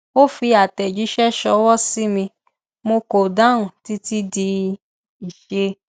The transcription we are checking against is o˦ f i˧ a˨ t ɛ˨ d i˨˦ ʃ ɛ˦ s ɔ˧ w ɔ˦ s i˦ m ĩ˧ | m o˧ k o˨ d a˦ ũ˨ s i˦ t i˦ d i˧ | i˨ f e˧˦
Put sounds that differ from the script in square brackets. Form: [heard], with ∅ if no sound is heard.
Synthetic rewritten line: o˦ f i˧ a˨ t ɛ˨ [d͡ʒ] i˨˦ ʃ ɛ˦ [ʃ] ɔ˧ w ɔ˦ s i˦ m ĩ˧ | m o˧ k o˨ d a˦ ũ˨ [t] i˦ t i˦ d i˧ | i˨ [ʃ] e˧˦